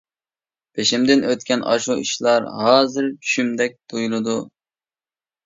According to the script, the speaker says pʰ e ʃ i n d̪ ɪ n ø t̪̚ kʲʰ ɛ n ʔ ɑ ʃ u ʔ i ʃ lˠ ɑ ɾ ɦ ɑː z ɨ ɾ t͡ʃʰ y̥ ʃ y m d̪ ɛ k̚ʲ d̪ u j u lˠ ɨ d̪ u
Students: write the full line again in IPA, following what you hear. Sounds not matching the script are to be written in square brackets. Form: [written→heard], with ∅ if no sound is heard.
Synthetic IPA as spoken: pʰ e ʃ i [n→m] d̪ ɪ n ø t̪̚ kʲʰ ɛ n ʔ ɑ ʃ u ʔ i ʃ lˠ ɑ ɾ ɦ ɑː z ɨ ɾ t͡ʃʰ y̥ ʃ y m d̪ ɛ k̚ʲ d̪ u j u lˠ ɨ d̪ u